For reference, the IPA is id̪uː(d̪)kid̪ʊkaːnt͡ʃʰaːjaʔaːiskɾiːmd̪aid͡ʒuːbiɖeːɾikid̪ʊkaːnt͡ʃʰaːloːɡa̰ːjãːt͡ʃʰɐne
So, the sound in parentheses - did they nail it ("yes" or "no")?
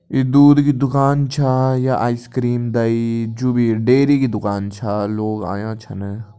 yes